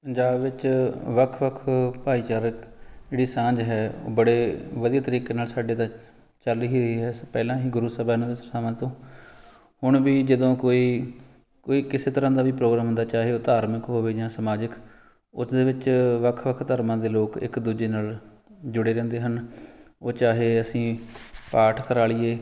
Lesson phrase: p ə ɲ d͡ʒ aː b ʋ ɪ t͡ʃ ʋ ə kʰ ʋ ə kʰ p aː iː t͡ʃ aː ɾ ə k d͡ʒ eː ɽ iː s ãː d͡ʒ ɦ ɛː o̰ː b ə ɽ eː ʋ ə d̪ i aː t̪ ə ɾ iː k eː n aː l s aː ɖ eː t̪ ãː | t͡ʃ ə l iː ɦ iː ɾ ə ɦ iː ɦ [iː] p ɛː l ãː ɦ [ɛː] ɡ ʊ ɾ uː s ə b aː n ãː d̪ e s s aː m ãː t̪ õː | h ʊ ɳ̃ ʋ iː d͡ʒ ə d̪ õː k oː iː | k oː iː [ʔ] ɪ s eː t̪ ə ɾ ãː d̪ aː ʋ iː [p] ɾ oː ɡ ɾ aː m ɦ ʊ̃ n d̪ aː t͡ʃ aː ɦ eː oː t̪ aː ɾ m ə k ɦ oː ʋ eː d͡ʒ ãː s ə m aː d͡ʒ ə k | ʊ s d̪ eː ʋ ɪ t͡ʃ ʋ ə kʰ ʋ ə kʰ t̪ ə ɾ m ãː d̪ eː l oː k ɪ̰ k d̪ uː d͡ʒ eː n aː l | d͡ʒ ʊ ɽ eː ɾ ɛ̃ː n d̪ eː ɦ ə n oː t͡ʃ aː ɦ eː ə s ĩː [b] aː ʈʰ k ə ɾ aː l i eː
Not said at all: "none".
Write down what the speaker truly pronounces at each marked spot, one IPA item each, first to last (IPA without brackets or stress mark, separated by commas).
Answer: ɛː, iː, k, p, p